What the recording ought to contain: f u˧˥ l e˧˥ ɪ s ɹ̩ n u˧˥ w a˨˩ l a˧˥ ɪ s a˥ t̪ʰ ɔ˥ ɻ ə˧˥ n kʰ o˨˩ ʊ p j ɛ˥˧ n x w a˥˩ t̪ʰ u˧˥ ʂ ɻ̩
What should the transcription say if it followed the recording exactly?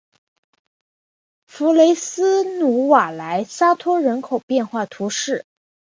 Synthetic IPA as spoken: f u˧˥ l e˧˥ ɪ s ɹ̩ n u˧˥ w a˨˩ l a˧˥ ɪ s a˥ t̪ʰ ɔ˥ ɻ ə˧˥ n kʰ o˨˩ ʊ p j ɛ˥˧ n x w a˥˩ t̪ʰ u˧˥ ʂ ɻ̩